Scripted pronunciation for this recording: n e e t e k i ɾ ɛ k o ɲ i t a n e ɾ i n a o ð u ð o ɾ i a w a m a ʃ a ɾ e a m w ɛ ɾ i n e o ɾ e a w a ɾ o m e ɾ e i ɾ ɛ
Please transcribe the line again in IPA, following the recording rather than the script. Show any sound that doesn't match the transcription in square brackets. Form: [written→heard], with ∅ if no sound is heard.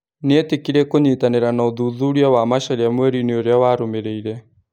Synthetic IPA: n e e t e k i ɾ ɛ k o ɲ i t a n e ɾ [i→a] n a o ð u ð [o→u] ɾ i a w a m a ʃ a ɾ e a m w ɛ ɾ i n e o ɾ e a w a ɾ o m e ɾ e i ɾ ɛ